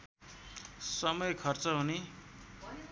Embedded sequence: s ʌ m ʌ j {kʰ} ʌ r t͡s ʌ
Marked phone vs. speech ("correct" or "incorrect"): correct